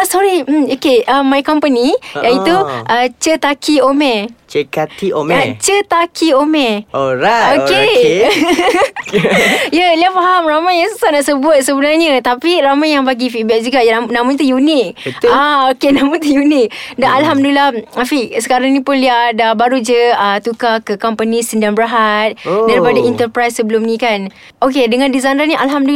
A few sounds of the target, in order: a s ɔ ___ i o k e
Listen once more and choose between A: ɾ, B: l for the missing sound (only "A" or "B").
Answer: A